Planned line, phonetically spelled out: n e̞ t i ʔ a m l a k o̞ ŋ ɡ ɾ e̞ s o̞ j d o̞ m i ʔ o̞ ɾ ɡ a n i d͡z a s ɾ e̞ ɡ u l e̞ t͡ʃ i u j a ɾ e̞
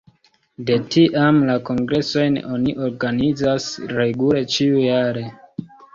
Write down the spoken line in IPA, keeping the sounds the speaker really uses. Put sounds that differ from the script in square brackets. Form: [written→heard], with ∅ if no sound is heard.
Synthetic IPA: [n→d] e̞ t i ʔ a m l a k o̞ ŋ ɡ ɾ e̞ s o̞ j [d→n] o̞ [m→n] i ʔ o̞ ɾ ɡ a n i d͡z a s ɾ e̞ ɡ u l e̞ t͡ʃ i u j a ɾ e̞